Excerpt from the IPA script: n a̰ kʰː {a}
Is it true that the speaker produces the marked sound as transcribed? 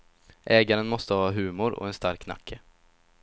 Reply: no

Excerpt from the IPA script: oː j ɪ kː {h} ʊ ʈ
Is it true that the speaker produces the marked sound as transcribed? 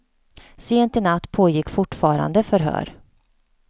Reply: no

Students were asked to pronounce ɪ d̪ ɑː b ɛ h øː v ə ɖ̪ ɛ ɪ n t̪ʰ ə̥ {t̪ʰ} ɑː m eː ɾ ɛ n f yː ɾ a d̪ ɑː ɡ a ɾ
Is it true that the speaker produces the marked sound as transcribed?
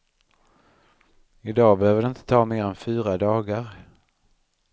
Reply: yes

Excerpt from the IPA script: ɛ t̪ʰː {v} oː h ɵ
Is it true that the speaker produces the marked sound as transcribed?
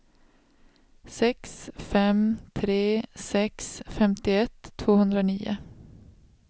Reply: yes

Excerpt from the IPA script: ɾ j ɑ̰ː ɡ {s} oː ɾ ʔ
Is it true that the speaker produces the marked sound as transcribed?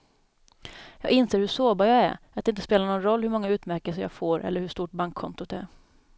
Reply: no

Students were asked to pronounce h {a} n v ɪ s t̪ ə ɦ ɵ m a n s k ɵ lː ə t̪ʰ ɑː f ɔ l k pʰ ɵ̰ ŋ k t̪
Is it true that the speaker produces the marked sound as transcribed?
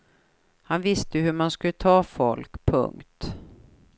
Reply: yes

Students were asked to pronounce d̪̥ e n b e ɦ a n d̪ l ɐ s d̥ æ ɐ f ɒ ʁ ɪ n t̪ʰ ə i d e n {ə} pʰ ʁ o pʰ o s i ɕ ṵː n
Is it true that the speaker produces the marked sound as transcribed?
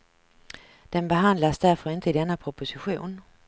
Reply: yes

